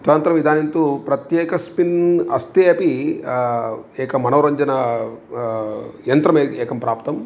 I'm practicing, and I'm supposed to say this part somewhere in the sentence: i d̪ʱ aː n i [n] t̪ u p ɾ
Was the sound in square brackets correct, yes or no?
yes